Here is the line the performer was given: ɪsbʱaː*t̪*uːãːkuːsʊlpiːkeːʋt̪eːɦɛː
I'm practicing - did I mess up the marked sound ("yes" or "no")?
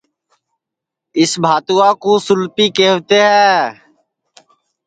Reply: no